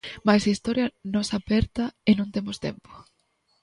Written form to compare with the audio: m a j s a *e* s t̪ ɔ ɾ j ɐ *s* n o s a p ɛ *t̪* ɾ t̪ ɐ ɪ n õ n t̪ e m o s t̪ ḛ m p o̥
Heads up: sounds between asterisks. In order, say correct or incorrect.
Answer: incorrect, incorrect, incorrect

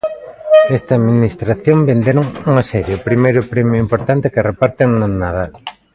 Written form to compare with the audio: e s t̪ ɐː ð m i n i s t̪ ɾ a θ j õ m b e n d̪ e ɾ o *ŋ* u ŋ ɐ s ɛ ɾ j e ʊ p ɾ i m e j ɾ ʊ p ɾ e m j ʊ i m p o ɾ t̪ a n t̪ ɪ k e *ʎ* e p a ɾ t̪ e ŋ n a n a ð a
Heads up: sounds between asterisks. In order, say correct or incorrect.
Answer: correct, incorrect

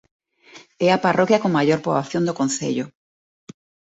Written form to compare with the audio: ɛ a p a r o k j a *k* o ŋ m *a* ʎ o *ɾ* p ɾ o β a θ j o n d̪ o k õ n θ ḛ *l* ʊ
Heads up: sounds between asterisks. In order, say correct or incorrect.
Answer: correct, correct, correct, incorrect

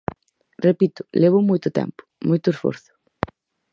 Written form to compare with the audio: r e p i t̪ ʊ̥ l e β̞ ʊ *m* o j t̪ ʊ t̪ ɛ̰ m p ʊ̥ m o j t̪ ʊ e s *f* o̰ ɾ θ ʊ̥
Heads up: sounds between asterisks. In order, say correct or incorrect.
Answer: correct, correct

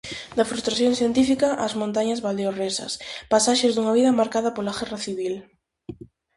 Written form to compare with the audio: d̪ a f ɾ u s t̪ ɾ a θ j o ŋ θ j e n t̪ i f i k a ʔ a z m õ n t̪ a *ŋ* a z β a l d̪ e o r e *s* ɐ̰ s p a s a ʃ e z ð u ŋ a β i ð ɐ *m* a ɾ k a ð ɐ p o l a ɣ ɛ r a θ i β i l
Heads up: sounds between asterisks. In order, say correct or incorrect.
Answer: incorrect, correct, correct

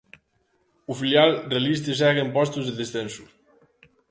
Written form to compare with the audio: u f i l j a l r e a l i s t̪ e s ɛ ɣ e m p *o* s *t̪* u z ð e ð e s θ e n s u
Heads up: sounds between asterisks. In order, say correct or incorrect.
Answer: incorrect, correct

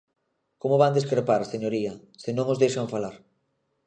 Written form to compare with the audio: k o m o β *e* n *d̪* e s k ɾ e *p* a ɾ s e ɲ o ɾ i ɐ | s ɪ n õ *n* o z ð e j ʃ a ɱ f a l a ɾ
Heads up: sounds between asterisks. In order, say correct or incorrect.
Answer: incorrect, correct, correct, incorrect

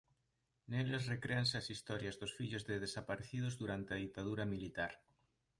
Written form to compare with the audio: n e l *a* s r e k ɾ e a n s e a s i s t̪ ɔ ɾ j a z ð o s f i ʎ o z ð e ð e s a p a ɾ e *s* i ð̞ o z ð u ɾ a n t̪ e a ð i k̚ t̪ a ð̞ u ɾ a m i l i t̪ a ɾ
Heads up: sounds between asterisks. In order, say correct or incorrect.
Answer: incorrect, incorrect

